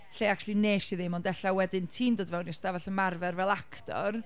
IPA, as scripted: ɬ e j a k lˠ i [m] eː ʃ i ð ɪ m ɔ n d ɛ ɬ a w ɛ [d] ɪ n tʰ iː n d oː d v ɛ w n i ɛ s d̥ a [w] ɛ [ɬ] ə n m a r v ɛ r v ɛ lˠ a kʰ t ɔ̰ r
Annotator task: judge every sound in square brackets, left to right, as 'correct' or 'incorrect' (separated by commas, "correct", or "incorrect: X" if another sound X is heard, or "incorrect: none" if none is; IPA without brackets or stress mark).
incorrect: n, correct, incorrect: v, correct